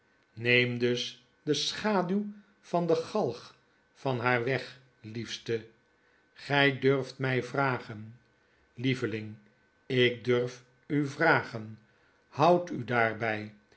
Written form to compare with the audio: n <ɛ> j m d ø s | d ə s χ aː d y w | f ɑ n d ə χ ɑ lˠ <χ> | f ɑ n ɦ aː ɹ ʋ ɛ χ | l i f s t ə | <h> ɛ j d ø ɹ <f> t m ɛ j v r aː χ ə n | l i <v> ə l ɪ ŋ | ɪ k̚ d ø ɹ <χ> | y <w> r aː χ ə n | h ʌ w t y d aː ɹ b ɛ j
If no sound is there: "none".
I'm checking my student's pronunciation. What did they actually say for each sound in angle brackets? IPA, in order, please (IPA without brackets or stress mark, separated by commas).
e, χ, χ, f, v, f, v